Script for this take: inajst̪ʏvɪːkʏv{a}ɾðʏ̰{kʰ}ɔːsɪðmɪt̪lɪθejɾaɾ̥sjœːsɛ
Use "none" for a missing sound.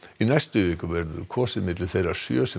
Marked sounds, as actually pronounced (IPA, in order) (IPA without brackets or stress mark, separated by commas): ɛ, kʰ